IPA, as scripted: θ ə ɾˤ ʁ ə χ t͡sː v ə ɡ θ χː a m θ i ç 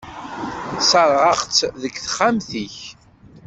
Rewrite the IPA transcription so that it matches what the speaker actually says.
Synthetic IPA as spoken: s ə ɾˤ ʁ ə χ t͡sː ð ə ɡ θ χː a m θ i ç

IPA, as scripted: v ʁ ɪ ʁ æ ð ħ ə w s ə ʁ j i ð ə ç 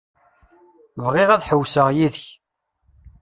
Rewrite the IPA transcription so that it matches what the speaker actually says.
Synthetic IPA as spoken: v ʁ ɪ ʁ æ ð ħ ə w s ə ʁ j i ð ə ç

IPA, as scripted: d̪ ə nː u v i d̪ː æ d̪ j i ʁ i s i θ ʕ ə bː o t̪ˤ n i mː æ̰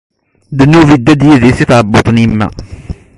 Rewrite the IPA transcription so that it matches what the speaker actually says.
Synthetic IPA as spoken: d̪ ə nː u v i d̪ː æ d̪ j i ð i s i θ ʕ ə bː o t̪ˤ n i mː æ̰

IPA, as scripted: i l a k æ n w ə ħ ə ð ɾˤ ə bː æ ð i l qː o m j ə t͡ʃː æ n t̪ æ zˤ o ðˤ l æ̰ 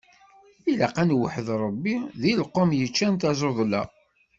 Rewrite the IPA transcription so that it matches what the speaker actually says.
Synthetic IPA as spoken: i l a q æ n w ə ħ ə ð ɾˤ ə bː i ð i l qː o m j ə t͡ʃː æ n t̪ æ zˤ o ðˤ l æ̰

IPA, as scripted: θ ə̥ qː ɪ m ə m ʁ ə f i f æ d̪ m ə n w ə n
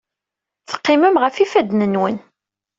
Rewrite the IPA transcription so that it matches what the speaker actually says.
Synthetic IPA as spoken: θ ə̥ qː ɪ m ə m ʁ ə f i f æ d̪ n ə n w ə n

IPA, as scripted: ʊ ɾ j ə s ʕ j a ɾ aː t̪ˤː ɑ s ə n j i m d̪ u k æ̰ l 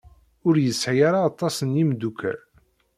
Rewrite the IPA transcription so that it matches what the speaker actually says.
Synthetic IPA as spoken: ʊ ɾ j ə s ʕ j a ɾ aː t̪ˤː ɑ s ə n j i m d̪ u k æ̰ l

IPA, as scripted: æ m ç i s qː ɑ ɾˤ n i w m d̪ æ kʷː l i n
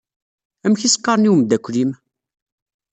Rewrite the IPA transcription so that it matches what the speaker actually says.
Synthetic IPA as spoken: æ m ç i s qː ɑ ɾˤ n i w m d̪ æ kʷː l i m

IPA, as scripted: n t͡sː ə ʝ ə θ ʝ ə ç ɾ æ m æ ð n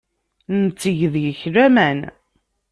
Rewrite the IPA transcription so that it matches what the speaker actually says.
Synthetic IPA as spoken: n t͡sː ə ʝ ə ð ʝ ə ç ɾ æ m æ n

